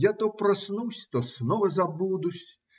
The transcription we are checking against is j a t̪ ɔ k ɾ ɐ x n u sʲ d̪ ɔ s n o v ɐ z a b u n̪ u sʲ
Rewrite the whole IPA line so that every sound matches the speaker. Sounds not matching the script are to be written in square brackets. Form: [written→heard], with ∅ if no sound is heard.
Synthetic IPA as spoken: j a t̪ ɔ [k→p] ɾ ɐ [x→s] n u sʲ [d̪→t̪] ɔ s n [o→ɔ] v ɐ z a b u [n̪→d̪] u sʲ